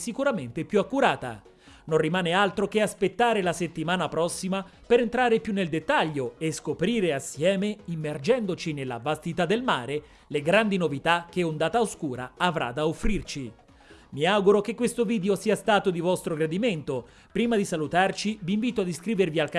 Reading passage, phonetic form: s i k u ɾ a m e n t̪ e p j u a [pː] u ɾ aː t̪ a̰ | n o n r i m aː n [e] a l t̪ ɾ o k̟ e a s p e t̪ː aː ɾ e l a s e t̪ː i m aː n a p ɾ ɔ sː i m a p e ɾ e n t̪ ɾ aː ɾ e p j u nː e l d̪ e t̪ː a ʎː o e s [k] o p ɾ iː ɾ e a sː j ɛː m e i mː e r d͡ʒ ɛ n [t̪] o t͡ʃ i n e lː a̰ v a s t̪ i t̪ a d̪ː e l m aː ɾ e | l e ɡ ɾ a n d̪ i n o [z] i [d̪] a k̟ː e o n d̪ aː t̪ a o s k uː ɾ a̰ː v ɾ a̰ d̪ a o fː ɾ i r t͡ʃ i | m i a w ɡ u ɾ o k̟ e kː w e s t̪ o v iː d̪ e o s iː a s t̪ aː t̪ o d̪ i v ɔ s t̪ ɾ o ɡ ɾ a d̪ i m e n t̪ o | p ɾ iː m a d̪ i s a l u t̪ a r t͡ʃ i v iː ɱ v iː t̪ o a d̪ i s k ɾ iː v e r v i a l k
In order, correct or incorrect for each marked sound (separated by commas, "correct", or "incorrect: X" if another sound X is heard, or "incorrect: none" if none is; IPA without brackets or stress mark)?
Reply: incorrect: kː, correct, correct, incorrect: d̪, incorrect: v, incorrect: t̪